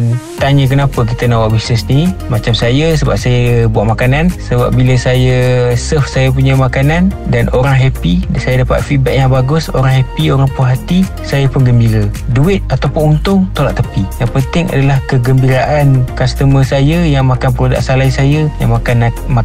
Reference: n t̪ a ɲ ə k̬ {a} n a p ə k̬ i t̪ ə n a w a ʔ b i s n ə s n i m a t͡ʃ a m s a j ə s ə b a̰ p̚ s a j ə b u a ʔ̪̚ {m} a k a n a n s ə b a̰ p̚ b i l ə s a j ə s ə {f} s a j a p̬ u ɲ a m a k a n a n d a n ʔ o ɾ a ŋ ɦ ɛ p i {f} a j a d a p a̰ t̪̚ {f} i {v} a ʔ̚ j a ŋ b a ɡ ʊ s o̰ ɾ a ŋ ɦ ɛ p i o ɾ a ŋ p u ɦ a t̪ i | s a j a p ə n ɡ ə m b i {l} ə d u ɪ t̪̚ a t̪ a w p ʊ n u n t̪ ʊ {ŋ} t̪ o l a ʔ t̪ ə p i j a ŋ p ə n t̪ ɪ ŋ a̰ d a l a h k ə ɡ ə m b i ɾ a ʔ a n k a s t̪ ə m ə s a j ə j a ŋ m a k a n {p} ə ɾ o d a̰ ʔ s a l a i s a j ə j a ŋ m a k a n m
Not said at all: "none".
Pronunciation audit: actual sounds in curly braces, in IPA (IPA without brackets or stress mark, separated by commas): ə, m, f, s, f, b, ɾ, ŋ, p